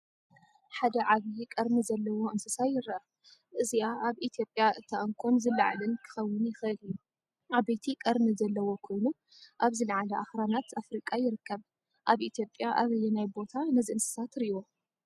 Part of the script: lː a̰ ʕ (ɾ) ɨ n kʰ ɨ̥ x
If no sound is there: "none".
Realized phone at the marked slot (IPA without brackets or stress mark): l